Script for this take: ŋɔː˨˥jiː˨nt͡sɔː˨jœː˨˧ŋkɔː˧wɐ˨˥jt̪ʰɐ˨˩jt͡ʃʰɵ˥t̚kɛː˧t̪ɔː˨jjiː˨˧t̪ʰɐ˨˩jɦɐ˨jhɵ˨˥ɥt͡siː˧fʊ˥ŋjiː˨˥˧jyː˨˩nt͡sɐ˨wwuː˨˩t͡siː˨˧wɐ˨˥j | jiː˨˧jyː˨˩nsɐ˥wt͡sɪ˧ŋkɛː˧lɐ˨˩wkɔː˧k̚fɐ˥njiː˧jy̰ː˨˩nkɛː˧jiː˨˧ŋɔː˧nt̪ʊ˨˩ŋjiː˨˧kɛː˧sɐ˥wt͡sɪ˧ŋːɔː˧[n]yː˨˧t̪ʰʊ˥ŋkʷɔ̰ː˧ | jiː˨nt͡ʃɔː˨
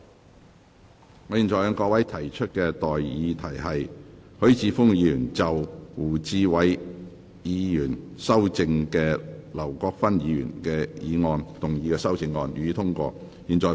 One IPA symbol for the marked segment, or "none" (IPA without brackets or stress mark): n